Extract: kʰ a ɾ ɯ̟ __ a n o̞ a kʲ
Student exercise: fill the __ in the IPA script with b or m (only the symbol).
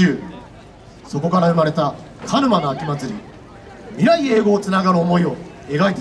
m